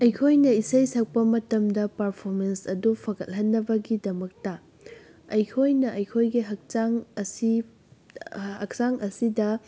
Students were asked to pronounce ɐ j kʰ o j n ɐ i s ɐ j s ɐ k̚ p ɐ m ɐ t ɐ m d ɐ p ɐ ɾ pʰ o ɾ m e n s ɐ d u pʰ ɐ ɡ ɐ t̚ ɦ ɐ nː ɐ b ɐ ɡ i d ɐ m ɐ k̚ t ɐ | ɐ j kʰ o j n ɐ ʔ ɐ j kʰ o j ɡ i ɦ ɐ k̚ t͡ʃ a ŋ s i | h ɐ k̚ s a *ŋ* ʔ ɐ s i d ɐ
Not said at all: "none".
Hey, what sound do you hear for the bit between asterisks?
ŋ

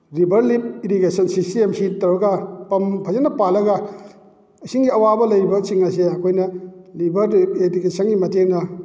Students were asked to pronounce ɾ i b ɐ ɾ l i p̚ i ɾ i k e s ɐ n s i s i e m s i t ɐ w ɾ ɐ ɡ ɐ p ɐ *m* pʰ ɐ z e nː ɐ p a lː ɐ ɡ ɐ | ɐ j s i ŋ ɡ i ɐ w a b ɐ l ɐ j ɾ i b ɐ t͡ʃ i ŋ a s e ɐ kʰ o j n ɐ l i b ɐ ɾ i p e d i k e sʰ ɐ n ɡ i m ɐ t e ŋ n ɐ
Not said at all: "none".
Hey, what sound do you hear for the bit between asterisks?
m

